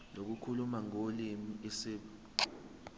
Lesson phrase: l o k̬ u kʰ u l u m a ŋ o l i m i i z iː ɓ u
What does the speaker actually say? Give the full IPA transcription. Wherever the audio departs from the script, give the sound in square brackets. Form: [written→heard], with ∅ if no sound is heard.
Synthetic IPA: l o k̬ u kʰ u l u m a ŋ o l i m i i [z→s] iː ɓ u